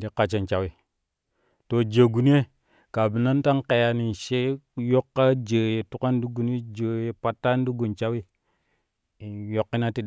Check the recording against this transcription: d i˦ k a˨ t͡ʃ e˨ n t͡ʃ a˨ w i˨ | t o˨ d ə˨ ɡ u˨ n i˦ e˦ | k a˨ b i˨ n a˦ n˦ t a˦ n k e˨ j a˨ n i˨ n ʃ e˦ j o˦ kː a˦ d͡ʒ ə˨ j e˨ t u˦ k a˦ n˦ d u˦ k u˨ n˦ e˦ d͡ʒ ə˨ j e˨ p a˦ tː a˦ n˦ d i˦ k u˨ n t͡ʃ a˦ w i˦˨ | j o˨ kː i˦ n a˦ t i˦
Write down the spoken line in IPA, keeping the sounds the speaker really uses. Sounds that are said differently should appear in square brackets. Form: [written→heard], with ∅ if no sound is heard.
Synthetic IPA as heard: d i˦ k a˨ t͡ʃ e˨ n t͡ʃ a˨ w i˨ | t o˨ [d→d͡ʒ] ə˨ ɡ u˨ n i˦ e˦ | k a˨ b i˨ n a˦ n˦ t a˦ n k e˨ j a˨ n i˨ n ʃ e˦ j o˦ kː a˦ d͡ʒ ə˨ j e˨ t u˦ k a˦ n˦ d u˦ [k→ɡ] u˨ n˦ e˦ d͡ʒ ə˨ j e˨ p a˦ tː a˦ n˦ d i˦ [k→ɡ] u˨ n t͡ʃ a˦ w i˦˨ | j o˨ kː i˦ n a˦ t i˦